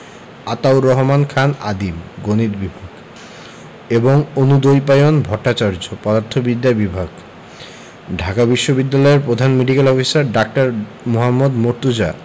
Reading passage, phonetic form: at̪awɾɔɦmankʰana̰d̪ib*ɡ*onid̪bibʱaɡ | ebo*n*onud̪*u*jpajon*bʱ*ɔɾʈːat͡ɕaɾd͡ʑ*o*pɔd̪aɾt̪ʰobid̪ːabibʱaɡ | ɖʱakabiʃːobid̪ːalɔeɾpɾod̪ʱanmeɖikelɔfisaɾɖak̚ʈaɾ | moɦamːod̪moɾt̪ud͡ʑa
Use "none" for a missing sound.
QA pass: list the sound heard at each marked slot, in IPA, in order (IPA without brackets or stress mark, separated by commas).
ɡ, ŋ, o, bʱ, o